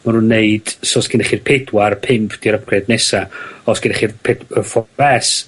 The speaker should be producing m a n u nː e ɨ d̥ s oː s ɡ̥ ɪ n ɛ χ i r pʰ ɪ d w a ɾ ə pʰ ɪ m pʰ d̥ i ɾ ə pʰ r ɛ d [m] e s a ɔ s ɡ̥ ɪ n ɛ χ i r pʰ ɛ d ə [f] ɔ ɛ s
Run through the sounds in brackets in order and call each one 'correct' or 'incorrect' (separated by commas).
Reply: incorrect, correct